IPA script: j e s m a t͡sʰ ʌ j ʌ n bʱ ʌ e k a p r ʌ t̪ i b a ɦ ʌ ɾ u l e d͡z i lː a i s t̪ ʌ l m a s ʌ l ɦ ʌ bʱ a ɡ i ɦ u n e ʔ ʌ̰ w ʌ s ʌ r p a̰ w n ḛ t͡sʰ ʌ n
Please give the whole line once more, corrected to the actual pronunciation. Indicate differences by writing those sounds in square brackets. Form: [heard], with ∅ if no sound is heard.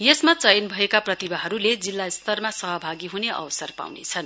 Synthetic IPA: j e s m a [t͡s] ʌ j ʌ n bʱ ʌ e k a p r ʌ t̪ i b a ɦ ʌ ɾ u l e d͡z i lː a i s t̪ ʌ [r] m a s ʌ [∅] ɦ ʌ bʱ a ɡ i ɦ u n e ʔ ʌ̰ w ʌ s ʌ r p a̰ w n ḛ t͡sʰ ʌ n